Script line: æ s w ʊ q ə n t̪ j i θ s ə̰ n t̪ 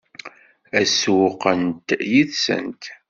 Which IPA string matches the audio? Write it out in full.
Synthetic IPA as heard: æ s w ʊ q ə n t̪ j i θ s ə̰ n t̪